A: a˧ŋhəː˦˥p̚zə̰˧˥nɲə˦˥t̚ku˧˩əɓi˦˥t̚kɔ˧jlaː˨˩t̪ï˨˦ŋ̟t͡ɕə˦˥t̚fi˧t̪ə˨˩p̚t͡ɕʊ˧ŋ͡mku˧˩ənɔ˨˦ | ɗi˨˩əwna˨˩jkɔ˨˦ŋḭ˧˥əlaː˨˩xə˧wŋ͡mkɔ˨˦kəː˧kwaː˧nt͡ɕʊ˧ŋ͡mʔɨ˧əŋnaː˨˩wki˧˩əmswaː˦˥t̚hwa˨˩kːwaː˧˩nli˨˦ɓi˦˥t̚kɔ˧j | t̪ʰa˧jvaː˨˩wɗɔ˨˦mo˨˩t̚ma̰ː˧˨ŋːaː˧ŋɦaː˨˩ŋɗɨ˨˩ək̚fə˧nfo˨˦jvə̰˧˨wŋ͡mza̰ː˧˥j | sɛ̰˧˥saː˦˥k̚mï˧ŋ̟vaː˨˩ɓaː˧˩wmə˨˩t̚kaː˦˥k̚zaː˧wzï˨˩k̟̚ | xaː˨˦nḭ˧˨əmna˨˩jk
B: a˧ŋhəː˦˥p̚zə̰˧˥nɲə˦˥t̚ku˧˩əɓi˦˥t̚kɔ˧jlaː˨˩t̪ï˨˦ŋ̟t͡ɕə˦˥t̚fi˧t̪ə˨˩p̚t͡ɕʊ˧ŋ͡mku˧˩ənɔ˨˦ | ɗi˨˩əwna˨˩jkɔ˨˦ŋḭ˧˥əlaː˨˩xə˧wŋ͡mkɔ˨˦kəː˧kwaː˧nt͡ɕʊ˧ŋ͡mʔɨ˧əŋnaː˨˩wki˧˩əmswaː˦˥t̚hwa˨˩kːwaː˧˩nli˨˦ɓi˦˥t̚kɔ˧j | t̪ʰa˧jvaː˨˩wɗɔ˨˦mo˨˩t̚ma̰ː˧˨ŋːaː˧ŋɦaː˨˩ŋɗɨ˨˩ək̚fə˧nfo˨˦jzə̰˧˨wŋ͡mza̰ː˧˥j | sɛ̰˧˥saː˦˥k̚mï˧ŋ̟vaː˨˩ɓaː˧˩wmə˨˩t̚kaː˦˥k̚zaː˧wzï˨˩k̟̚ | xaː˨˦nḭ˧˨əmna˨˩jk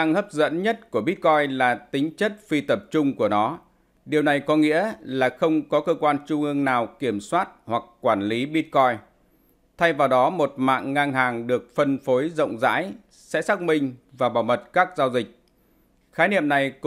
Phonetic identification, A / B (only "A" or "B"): B